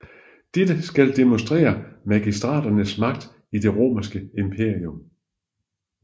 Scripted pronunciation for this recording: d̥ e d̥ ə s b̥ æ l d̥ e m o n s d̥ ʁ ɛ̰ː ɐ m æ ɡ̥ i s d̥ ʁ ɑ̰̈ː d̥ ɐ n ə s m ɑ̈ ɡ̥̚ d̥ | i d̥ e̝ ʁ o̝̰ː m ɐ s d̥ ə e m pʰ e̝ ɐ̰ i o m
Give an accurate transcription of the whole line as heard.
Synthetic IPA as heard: d̥ e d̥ ə s ɡ̥ æ l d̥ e m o n s d̥ ʁ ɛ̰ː ɐ m æ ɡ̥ i s d̥ ʁ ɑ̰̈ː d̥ ɐ n ə s m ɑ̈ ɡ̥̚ d̥ | i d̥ e̝ ʁ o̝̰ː m ɐ s ɡ̥ ə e m pʰ e̝ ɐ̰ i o m